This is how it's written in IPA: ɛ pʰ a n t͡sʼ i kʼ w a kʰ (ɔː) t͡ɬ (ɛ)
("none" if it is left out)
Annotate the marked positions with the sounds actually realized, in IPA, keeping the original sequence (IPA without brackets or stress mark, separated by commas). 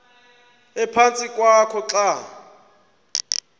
ɔ, a